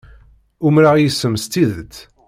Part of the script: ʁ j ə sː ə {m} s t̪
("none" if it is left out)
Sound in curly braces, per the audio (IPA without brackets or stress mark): m